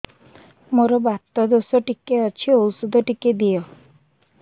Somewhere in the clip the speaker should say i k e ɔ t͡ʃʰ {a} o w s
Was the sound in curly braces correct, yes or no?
no